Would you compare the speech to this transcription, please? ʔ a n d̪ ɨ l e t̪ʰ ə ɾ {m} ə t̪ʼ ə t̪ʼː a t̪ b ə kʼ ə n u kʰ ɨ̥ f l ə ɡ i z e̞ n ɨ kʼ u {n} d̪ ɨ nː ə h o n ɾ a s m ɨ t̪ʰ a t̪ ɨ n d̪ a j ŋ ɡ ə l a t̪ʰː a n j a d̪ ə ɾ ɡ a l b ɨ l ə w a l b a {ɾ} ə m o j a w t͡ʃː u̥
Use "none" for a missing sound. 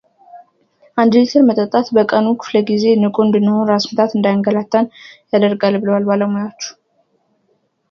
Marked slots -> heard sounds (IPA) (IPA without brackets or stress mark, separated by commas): m, n, l